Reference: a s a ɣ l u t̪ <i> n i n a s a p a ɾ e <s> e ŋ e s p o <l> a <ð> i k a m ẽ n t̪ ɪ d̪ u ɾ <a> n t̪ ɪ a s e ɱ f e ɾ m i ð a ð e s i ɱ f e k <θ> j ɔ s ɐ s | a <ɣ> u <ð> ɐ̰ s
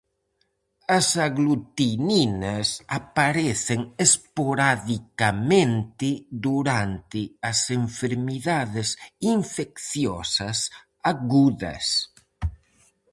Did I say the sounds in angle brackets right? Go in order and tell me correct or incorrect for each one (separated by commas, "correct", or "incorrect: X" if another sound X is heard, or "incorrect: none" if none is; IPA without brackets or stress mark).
correct, incorrect: θ, incorrect: ɾ, correct, correct, correct, correct, correct